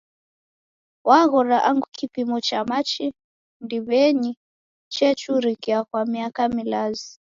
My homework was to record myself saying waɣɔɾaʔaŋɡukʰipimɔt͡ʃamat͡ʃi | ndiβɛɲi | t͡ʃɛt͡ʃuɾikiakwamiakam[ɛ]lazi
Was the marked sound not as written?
yes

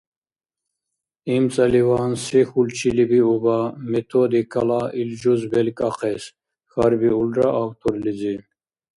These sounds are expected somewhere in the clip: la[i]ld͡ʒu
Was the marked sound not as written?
no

